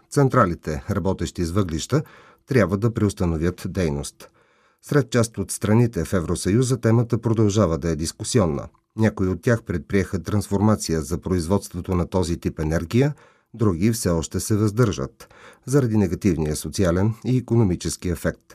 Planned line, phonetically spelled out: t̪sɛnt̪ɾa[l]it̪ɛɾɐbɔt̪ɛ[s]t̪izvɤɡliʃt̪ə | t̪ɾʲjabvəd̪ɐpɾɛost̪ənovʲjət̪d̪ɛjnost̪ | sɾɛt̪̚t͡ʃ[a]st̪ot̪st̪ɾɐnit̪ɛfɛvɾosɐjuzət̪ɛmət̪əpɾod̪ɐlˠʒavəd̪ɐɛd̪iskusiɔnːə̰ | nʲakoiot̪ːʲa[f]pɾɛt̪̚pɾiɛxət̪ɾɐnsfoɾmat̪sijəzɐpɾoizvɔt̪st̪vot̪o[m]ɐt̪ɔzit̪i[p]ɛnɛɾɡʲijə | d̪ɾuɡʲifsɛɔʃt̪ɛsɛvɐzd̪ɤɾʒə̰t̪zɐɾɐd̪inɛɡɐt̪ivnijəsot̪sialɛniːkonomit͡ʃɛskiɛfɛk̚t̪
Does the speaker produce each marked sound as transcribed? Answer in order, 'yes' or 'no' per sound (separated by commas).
yes, no, yes, no, no, yes